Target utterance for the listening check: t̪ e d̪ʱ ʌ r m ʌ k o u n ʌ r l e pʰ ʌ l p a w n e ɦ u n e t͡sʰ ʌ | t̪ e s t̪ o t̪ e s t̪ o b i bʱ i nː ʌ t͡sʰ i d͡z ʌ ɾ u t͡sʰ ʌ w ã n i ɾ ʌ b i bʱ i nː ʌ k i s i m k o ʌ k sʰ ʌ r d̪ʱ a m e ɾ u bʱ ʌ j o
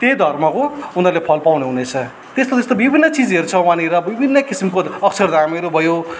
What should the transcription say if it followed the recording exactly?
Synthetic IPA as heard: t̪ e d̪ʱ ʌ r m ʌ k o u n ʌ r l e pʰ ʌ l p a w n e ɦ u n e t͡sʰ ʌ | t̪ e s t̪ o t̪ e s t̪ o b i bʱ i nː ʌ t͡s i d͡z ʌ ɾ u t͡sʰ ʌ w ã n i ɾ ʌ b i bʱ i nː ʌ k i s i m k o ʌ k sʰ ʌ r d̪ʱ a m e ɾ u bʱ ʌ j o